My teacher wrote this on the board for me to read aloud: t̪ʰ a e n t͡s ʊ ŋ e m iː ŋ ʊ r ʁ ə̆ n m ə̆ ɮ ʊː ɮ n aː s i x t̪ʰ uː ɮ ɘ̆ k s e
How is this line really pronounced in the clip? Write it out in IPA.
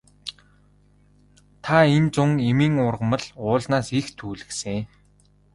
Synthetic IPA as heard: t̪ʰ a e n t͡s ʊ ŋ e m iː ŋ ʊ r ʁ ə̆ m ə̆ ɮ ʊː ɮ n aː s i x t̪ʰ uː ɮ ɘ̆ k s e